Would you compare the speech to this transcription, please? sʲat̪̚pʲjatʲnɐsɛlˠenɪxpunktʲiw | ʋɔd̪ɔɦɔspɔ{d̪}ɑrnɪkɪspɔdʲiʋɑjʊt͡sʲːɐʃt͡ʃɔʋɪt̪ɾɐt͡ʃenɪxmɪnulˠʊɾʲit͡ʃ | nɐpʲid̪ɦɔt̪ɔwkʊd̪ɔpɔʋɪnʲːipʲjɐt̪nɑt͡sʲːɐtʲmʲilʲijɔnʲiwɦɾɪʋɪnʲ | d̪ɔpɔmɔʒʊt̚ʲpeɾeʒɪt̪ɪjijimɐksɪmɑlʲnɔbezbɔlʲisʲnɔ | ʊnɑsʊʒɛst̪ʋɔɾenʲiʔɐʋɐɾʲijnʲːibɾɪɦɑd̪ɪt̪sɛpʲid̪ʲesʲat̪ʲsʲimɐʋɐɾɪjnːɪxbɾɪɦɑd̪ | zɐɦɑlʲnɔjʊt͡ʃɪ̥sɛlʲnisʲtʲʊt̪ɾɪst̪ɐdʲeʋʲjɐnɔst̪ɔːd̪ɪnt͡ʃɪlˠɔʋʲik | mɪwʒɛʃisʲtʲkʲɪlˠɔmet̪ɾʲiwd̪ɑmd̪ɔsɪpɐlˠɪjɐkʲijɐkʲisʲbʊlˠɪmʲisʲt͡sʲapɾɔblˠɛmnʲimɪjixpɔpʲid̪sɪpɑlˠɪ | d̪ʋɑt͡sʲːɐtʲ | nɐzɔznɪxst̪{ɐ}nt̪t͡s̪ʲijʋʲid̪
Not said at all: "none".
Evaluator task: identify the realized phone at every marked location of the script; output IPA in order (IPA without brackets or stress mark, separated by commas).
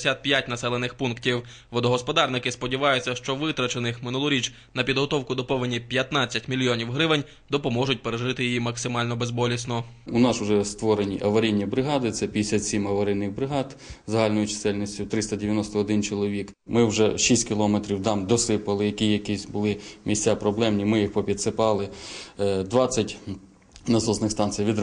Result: d̪, ɑ